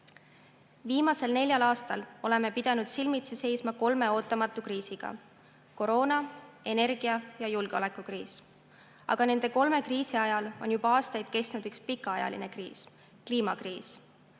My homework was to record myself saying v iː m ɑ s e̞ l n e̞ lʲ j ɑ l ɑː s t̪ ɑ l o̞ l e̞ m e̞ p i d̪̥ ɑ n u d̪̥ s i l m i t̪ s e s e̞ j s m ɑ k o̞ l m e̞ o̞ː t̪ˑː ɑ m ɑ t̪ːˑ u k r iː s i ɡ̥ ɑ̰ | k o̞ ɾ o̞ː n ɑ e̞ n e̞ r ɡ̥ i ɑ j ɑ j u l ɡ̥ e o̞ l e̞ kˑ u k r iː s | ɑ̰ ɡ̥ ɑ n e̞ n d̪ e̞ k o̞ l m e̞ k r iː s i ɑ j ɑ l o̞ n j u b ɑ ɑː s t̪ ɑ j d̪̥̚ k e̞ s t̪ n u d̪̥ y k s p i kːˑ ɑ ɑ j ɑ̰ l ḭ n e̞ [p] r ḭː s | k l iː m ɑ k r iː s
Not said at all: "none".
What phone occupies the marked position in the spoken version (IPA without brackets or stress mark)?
k